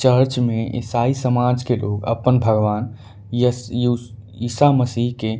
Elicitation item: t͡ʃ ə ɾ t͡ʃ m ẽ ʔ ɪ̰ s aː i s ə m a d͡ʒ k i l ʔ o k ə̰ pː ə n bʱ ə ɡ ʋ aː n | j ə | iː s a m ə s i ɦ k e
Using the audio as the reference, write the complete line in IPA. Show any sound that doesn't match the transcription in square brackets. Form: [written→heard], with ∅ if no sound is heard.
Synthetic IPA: t͡ʃ ə ɾ t͡ʃ m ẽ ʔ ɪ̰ s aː i s ə m a d͡ʒ k [i→e] l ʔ o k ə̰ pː ə n bʱ ə ɡ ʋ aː n | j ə | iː s a m ə s i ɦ k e